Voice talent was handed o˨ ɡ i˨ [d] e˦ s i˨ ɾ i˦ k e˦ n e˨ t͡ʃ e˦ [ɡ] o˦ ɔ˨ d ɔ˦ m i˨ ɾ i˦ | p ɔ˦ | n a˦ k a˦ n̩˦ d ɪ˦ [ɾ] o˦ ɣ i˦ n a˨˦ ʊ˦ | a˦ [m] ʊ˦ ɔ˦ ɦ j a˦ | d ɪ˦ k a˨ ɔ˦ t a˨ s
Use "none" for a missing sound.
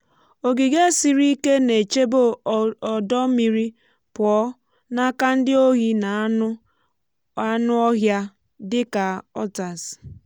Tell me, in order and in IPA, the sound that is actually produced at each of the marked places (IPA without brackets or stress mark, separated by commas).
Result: ɡ, b, none, n